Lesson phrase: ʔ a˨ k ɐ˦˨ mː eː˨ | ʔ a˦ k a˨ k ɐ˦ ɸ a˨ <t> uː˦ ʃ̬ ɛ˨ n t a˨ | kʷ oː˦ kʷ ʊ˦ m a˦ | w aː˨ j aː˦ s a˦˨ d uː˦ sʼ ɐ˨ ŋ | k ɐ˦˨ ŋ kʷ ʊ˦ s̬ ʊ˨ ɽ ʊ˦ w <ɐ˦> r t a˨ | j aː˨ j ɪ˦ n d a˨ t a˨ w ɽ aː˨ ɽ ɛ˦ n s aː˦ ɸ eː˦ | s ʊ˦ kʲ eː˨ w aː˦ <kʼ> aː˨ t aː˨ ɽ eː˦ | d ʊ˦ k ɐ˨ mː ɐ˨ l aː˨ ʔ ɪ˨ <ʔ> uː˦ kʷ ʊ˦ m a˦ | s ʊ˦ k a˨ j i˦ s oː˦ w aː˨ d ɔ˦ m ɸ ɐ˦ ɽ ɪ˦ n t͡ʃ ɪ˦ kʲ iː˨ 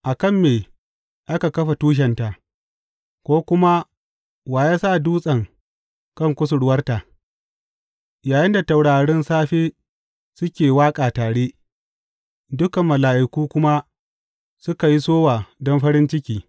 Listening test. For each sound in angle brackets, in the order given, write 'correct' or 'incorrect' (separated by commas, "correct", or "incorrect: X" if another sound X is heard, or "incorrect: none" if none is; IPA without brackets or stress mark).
correct, correct, correct, incorrect: k